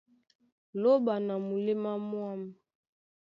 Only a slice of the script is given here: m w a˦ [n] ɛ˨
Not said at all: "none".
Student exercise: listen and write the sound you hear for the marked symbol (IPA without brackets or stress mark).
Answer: m